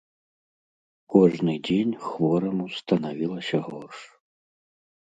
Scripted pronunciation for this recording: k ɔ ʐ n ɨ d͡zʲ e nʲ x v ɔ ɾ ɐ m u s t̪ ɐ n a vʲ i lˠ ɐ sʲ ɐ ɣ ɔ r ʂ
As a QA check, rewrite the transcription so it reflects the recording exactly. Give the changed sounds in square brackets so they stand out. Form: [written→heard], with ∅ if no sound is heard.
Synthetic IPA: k ɔ ʐ n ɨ d͡zʲ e nʲ x v ɔ ɾ ɐ m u s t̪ ɐ n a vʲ i lˠ ɐ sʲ ɐ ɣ ɔ r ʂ